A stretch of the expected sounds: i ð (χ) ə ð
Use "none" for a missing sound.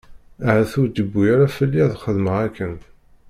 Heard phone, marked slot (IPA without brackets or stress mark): χ